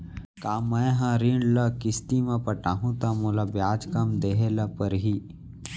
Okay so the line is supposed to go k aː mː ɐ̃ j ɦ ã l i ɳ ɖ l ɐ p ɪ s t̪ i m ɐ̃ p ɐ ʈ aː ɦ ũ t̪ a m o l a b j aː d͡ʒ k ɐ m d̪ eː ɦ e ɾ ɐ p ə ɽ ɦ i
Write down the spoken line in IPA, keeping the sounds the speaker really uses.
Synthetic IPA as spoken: k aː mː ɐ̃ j ɦ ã ɾ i ɳ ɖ l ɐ k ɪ s t̪ i m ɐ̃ p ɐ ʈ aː ɦ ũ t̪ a m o l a b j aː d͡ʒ k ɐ m d̪ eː ɦ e l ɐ p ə ɾ ɦ i

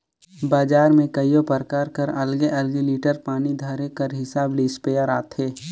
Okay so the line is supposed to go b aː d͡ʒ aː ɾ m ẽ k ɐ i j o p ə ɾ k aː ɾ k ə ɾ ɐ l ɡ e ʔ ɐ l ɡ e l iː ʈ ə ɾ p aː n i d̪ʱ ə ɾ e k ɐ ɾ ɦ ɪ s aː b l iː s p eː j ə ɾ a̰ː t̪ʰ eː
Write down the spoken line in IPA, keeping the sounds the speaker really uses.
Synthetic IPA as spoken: b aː d͡ʒ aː ɾ m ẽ k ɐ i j o p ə ɾ k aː ɾ k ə ɾ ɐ l ɡ e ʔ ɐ l ɡ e l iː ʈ ə ɾ p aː n i d̪ʱ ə ɾ e k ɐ ɾ ɦ ɪ s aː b l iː s p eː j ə ɾ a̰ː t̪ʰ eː

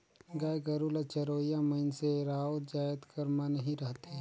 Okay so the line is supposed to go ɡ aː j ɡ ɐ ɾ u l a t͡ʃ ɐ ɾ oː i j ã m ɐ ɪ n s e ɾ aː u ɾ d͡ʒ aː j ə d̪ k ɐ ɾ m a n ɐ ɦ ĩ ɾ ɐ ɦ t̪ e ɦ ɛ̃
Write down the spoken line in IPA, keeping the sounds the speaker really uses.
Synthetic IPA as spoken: ɡ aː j ɡ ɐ ɾ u l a t͡ʃ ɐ ɾ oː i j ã m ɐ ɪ n s e ɾ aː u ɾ d͡ʒ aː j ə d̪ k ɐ ɾ m a n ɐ ɦ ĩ ɾ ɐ ɦ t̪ e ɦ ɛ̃

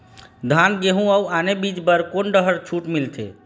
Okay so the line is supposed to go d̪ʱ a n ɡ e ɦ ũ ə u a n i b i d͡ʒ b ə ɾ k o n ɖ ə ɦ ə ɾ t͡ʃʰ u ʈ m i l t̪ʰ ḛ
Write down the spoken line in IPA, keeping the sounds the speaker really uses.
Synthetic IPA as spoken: d̪ʱ a n ɡ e ɦ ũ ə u a n e b i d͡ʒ b ə ɾ k o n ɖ ə ɦ ə ɾ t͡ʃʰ u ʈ m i l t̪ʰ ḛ

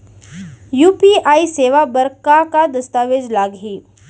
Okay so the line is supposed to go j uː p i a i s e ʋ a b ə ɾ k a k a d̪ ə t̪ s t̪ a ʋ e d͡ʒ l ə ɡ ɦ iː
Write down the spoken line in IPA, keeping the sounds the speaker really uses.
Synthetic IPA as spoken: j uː p i a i s e ʋ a b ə ɾ k a k a d̪ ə s t̪ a ʋ e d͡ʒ l a ɡ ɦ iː

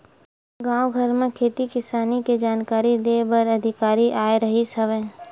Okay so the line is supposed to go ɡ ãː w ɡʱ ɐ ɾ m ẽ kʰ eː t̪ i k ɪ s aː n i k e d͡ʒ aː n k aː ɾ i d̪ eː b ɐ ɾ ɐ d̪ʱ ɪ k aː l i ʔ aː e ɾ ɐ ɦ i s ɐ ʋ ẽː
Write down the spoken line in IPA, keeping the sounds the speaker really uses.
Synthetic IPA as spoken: ɡ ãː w ɡʱ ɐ ɾ m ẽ kʰ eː t̪ i k ɪ s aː n i k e d͡ʒ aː n k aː ɾ i d̪ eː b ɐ ɾ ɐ d̪ʱ ɪ k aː ɾ i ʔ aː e ɾ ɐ ɦ i s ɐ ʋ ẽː

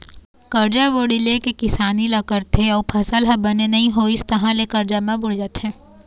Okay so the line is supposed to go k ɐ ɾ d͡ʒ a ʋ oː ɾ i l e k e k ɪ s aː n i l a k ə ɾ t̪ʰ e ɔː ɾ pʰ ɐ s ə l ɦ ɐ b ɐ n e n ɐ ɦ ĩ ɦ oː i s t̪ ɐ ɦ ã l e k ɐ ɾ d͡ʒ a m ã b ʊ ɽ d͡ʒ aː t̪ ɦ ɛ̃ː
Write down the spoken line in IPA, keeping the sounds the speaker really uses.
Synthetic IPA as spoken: k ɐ ɾ d͡ʒ a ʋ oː ɽ i l e k e k ɪ s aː n i l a k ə ɾ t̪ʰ e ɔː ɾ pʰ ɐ s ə l ɦ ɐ b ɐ n e n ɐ ɦ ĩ ɦ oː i s t̪ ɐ ɦ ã l e k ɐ ɾ d͡ʒ a m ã b ʊ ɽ d͡ʒ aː t̪ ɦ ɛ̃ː

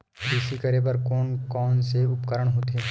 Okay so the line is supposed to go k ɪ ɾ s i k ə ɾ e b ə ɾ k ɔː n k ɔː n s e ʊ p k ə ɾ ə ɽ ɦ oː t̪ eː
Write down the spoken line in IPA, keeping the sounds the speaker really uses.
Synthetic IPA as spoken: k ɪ s i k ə ɾ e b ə ɾ k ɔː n k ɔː n s e ʊ p k ə ɾ ə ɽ ɦ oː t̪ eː

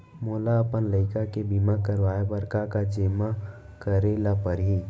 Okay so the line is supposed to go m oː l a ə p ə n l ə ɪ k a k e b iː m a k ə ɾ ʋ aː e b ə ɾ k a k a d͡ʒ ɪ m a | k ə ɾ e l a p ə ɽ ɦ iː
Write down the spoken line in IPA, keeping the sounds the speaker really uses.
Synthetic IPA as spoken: m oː l a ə p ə n l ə ɪ k a k e b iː m a k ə ɾ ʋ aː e b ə ɾ k a k a d͡ʒ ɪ m a | k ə ɾ e l a p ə ɾ ɦ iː

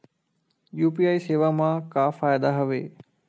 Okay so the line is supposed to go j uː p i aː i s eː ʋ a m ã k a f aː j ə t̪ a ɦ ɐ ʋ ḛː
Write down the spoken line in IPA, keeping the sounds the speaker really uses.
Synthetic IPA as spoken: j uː p i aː i s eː ʋ a m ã k a f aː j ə d̪ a ɦ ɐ ʋ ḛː

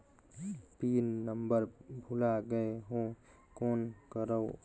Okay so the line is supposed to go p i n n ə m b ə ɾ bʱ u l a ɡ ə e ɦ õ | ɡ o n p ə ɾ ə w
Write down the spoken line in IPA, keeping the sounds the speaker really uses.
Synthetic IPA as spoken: p i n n ə m b ə ɾ bʱ u l a ɡ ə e ɦ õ | k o n k ə ɾ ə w

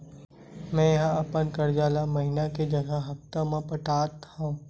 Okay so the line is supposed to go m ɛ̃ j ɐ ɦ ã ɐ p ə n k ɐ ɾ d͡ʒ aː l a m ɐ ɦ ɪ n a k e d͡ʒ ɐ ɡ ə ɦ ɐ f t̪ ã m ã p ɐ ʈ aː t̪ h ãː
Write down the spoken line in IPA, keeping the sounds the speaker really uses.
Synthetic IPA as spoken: m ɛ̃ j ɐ ɦ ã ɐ p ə n k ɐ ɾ d͡ʒ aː l a m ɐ ɦ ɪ n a k e d͡ʒ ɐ ɡ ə ɦ ɐ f t̪ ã m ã p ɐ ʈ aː t̪ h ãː

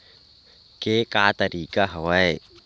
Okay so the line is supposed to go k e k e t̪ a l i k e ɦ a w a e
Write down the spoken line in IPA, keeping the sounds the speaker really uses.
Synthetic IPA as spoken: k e k a t̪ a ɾ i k a ɦ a w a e

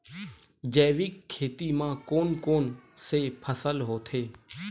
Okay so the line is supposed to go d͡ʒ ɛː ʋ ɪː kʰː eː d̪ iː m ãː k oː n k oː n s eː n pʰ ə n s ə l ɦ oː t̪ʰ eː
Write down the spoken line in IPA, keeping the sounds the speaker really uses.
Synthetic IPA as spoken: d͡ʒ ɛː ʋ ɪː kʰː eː t̪ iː m ãː k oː n k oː n s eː pʰ ə s ə l ɦ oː t̪ʰ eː

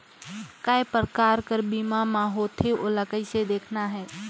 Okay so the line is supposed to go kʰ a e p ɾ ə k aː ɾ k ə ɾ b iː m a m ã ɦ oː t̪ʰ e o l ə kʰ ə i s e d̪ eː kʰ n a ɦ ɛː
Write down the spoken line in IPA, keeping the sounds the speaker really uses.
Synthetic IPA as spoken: k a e p ɾ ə k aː ɾ k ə ɾ b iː m a m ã ɦ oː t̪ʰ e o l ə k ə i s e d̪ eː kʰ n a ɦ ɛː

